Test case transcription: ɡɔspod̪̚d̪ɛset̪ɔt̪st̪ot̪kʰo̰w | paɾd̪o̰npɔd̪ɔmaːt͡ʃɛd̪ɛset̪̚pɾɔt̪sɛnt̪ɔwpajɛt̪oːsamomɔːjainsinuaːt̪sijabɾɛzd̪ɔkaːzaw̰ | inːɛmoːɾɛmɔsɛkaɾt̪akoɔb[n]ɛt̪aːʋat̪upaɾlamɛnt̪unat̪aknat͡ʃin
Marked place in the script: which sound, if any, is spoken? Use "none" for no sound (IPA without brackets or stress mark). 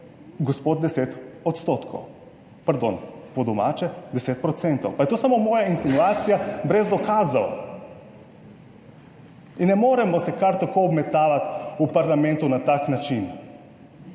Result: m